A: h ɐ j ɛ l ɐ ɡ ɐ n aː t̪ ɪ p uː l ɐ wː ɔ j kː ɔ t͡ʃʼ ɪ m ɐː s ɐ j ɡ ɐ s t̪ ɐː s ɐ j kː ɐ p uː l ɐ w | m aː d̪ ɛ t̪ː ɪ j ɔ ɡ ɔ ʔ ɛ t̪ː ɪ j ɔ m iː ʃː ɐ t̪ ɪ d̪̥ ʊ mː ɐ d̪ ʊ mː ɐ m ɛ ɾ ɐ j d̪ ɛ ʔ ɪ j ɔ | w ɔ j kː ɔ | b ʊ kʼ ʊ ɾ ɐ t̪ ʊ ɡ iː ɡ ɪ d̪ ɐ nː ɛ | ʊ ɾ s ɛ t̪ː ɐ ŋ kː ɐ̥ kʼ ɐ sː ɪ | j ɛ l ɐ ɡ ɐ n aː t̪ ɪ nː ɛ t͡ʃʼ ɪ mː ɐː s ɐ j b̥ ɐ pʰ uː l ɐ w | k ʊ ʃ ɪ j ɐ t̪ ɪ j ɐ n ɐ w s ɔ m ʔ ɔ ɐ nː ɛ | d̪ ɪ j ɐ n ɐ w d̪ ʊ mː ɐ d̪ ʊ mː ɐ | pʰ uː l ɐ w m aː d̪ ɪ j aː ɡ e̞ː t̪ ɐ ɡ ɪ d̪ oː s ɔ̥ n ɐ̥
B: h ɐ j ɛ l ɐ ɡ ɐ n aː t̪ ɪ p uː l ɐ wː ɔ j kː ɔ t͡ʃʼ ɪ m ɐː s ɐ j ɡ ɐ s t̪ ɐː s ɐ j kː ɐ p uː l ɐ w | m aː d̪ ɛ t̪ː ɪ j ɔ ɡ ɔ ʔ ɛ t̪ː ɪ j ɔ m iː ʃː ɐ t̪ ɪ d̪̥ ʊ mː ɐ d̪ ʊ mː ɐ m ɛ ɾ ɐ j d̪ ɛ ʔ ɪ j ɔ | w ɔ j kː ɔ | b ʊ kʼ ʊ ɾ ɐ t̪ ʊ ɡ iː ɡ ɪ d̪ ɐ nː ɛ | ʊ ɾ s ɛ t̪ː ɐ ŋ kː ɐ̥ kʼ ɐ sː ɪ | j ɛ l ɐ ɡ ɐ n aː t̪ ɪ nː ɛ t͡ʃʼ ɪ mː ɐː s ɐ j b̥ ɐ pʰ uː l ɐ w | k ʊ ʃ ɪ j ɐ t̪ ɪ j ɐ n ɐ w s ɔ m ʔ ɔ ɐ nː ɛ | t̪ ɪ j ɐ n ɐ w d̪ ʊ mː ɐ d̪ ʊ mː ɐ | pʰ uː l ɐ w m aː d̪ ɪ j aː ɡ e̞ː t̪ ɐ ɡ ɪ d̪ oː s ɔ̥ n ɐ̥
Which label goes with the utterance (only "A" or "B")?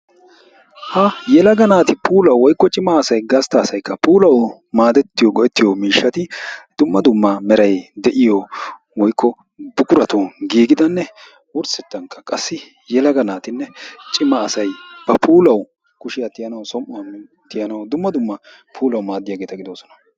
B